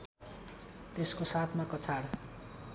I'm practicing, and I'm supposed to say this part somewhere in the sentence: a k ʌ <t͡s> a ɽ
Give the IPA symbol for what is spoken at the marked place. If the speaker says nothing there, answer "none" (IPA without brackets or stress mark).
t͡sʰ